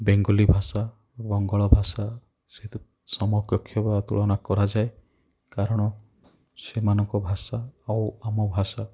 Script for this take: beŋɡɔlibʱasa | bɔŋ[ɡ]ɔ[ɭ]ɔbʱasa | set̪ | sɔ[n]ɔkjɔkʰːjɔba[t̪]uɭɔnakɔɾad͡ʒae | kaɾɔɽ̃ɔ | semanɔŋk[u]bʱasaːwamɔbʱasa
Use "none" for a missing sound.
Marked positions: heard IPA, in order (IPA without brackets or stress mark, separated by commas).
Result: ɡ, ɭ, m, t̪, ɔ